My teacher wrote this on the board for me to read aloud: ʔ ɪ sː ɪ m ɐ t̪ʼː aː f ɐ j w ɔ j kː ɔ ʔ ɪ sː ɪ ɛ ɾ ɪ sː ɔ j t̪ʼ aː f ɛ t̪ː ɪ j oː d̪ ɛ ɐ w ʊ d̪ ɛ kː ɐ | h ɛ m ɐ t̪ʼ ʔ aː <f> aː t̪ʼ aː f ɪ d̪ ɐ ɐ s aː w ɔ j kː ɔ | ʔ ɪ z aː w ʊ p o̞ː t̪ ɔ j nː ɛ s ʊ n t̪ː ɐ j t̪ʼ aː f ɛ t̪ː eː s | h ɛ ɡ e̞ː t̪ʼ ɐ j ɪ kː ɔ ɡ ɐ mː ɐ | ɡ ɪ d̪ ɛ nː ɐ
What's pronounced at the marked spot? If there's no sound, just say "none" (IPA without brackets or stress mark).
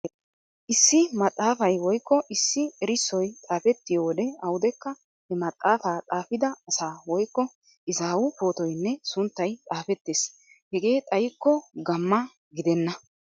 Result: f